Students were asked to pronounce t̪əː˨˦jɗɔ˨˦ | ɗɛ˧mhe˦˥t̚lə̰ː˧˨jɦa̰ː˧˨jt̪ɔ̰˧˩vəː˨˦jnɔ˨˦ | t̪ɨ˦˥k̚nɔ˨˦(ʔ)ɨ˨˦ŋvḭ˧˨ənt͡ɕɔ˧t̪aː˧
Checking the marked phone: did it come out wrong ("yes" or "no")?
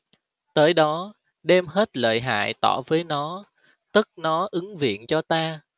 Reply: no